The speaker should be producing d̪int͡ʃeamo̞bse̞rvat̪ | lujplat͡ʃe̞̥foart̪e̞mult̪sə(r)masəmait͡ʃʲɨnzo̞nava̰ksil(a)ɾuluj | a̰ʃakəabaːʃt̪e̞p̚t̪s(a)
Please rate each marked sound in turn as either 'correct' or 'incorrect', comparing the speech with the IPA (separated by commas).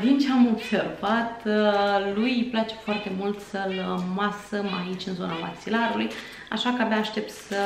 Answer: incorrect, correct, incorrect